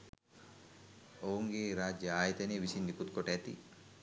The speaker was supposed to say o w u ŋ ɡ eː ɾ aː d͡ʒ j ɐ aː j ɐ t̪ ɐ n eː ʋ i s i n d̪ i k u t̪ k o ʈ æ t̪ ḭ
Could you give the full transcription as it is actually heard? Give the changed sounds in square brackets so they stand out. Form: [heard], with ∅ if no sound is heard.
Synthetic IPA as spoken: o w u ŋ ɡ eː ɾ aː d͡ʒ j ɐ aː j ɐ t̪ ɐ n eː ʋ i s i n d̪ i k u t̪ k o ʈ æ t̪ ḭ